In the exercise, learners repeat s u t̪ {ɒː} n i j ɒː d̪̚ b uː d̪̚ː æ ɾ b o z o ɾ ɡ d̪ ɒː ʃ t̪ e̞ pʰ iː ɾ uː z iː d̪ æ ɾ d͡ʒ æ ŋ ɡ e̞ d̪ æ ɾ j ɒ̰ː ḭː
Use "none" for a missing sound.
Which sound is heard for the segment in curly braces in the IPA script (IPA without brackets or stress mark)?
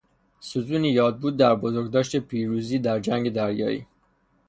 uː